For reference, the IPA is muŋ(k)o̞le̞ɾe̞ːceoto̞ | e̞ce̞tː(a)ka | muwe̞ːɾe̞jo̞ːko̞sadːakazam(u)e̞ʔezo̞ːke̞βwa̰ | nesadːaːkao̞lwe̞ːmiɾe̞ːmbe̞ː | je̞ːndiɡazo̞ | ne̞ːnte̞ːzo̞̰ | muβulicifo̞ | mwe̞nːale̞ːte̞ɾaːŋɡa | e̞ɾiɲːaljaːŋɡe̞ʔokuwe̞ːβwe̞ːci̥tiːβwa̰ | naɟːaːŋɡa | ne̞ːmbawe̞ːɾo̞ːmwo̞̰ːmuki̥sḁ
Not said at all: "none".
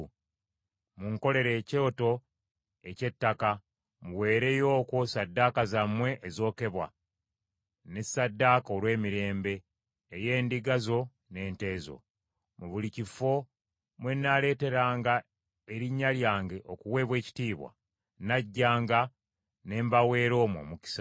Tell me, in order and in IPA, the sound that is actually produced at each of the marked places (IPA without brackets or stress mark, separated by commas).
k, a, w